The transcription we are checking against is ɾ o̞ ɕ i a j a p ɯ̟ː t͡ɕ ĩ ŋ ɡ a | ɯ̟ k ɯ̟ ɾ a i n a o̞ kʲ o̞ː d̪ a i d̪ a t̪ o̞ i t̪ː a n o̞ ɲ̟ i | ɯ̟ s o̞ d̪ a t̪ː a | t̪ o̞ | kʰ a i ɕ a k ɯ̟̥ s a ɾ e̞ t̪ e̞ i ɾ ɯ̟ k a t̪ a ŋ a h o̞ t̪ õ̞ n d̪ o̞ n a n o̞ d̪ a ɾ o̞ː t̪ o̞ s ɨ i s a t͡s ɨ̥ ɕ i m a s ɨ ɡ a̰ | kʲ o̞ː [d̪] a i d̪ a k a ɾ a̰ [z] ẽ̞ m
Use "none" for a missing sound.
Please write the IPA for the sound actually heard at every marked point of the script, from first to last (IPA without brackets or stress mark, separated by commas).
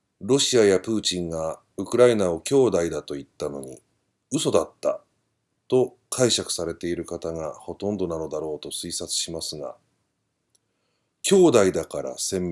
d̪, s